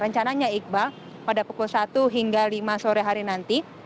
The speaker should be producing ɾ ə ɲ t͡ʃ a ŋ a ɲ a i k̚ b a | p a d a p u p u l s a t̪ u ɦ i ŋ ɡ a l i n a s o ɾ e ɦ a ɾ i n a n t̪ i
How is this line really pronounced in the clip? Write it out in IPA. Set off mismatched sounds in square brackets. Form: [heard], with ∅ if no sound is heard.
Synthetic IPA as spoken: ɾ ə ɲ t͡ʃ a [n] a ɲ a i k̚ b a | p a d a p u [k] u l s a t̪ u ɦ i ŋ ɡ a l i [m] a s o ɾ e ɦ a ɾ i n a n t̪ i